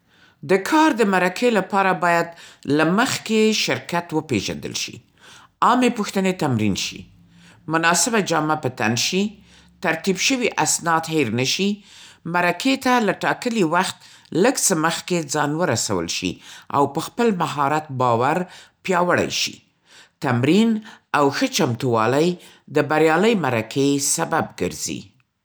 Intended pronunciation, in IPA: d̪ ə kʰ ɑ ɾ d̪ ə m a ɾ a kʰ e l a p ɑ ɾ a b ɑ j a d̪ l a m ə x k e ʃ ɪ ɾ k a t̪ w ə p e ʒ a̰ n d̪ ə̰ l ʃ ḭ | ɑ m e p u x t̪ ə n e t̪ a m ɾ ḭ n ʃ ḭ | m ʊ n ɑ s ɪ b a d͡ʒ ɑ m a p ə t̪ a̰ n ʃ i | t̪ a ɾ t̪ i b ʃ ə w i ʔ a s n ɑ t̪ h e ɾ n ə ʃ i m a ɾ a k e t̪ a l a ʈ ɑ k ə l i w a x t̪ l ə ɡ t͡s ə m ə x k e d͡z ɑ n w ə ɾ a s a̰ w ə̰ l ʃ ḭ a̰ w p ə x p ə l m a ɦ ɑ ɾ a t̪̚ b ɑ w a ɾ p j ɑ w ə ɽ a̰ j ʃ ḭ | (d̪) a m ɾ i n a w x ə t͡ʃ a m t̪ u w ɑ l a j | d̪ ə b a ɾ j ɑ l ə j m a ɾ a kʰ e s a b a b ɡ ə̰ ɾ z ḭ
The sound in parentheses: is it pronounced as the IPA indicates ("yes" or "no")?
no